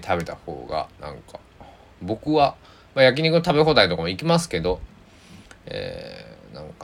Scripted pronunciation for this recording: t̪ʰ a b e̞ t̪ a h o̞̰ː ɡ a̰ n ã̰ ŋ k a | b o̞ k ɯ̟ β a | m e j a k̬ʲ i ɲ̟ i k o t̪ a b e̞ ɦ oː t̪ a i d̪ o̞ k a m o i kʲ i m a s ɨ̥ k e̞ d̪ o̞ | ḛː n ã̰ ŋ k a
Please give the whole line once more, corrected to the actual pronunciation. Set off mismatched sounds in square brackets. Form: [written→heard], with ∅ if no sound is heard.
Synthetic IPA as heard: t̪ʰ a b e̞ t̪ a h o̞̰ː ɡ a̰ n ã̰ ŋ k a | b o̞ k ɯ̟ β a | m [e→a] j a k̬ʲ i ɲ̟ i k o t̪ a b e̞ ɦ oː [t̪→d̪] a i [d̪→t̪] o̞ k a m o i kʲ i m a s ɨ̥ k e̞ d̪ o̞ | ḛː n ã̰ ŋ k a